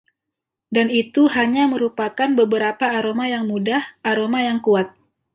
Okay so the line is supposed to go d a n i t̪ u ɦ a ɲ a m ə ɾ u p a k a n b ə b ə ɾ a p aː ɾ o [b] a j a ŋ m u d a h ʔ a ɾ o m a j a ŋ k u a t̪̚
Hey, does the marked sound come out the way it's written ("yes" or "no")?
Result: no